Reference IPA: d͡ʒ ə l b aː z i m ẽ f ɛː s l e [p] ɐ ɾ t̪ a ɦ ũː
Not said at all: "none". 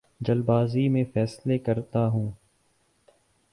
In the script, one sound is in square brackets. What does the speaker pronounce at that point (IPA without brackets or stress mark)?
k